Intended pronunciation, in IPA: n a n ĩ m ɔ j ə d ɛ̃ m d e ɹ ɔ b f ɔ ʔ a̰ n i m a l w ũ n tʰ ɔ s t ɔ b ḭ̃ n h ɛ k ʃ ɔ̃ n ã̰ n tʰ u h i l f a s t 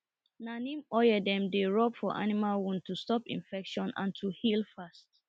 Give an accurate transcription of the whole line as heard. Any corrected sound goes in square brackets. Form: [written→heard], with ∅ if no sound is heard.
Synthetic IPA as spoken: n a n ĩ m ɔ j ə d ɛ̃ m d e ɹ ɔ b f ɔ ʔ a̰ n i m a l w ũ n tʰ [ɔ→u] s t ɔ [b→p] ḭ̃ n [h→f] ɛ k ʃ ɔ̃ n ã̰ n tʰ u h i l f a s t

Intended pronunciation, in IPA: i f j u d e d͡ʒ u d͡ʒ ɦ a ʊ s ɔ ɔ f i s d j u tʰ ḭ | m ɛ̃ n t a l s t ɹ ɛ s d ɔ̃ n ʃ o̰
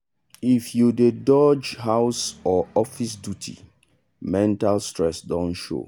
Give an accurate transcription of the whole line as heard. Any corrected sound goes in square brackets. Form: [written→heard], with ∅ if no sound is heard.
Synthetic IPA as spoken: i f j u d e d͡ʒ [u→ɔ] d͡ʒ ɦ a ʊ s ɔ ɔ f i s d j u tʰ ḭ | m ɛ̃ n t a l s t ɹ ɛ s d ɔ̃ n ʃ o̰

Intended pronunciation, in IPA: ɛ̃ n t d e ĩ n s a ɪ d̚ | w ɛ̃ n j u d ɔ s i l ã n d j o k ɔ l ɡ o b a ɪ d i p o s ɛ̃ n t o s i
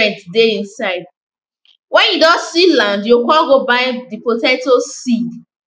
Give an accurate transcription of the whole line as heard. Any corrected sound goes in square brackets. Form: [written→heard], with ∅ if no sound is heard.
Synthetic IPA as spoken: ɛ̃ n t d e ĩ n s a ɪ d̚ | w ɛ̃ n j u d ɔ s i l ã n d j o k ɔ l ɡ o b a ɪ d i p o [s→t] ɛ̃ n t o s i

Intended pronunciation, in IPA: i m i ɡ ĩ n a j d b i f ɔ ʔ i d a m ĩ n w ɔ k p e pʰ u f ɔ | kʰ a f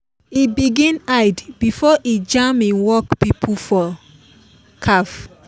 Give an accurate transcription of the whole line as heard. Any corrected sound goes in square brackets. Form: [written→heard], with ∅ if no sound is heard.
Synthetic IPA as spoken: i [m→b] i ɡ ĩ n a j d b i f ɔ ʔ i [d→d͡ʒ] a m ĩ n w ɔ k p [e→i] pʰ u f ɔ | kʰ a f

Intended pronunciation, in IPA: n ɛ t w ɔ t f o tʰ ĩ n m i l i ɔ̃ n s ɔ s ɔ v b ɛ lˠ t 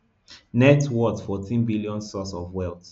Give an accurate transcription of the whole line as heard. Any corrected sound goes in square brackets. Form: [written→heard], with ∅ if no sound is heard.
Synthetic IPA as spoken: n ɛ t w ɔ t f [o→ɔ] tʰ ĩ n [m→b] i l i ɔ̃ n s ɔ s ɔ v [b→w] ɛ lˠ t

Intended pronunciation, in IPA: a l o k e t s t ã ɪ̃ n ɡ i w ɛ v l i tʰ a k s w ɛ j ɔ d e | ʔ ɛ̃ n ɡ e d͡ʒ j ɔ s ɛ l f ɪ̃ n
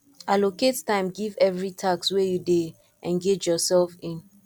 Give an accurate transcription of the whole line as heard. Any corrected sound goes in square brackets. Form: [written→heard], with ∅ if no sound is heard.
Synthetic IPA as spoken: a l o k e t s t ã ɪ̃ [n→m] ɡ i [w→v] ɛ v [l→ɹ] i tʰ a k s w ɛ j [ɔ→u] d e | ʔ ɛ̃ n ɡ e d͡ʒ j ɔ s ɛ l f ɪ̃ n

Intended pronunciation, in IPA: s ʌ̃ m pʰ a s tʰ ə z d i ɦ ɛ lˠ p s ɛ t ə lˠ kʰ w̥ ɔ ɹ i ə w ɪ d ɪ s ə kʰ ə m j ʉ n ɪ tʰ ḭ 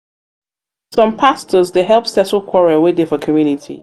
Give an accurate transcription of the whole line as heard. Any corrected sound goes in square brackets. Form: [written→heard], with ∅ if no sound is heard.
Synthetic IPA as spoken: s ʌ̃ m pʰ a s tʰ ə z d [i→e] ɦ ɛ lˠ p s ɛ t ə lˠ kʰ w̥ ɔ ɹ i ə w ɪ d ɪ [s→f] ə kʰ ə m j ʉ n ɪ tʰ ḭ

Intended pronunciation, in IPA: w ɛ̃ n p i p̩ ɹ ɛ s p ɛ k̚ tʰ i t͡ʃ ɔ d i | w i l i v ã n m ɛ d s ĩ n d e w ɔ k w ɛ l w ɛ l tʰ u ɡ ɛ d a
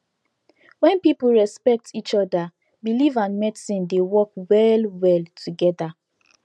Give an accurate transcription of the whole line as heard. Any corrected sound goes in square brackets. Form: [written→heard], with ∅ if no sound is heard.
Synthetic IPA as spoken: w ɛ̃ n p i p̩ ɹ ɛ s p ɛ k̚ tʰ i t͡ʃ ɔ d [i→a] | [w→b] i l i v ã n m ɛ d s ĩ n d e w ɔ k w ɛ l w ɛ l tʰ u ɡ ɛ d a

